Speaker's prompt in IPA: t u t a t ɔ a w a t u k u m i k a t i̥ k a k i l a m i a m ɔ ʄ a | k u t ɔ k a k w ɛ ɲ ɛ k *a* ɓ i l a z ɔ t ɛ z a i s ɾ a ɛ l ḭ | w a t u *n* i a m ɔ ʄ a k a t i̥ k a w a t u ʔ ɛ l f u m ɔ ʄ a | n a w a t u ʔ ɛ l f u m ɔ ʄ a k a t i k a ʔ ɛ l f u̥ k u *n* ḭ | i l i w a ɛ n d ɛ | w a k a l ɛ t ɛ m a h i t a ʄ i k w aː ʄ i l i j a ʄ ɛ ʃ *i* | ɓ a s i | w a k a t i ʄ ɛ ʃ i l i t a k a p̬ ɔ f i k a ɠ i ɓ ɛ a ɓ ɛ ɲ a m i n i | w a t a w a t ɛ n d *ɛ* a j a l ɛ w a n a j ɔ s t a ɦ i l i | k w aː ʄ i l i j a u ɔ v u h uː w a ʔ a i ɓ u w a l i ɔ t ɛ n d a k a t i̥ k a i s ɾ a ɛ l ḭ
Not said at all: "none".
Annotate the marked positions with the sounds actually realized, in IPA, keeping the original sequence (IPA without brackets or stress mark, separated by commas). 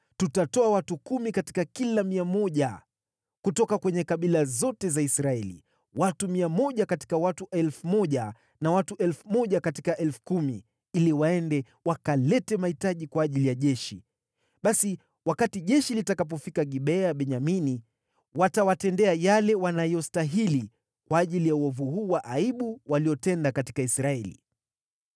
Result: a, m, m, i, ɛ